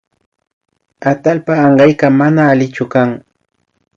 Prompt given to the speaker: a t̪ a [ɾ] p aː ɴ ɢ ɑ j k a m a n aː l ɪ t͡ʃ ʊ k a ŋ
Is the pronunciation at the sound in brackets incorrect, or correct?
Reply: incorrect